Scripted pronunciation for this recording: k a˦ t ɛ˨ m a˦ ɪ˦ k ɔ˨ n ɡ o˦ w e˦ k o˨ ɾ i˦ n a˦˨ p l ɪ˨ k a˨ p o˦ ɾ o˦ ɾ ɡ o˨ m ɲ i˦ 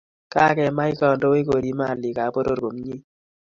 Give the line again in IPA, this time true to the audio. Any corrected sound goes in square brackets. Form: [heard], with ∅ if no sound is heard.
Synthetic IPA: k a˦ [k] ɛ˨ m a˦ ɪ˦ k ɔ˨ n [d] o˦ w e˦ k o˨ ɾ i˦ [m] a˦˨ [∅] l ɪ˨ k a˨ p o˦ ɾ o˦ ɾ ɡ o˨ m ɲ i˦